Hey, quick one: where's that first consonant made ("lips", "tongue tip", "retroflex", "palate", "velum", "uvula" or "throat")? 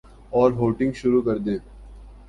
tongue tip